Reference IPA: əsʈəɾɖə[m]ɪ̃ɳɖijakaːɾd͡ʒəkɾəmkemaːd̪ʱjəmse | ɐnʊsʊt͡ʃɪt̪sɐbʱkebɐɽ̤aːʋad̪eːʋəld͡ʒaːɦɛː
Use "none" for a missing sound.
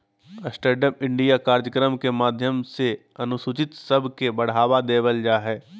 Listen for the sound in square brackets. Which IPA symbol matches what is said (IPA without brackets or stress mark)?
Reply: m